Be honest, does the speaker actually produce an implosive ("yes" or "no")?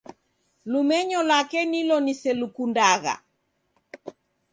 no